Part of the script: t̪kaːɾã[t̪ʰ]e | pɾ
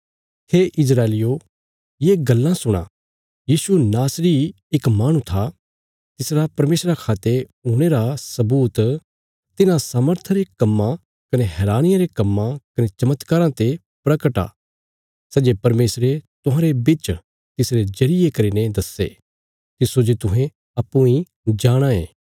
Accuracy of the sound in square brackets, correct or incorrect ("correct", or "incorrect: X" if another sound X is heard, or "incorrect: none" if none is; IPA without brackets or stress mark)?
incorrect: t̪